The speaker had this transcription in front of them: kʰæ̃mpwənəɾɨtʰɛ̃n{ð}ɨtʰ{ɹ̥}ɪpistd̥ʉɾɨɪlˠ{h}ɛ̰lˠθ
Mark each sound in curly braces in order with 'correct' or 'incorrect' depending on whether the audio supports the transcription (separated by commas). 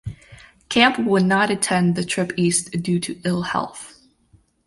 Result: correct, correct, correct